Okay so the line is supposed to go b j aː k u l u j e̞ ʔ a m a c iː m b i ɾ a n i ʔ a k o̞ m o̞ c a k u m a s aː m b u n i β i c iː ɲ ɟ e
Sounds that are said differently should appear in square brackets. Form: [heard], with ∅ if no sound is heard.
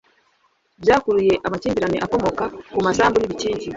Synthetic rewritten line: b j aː k u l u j e̞ ʔ a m a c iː m b i ɾ a n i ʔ a k o̞ m o̞ [k] a k u m a s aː m b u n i β i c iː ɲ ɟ [i]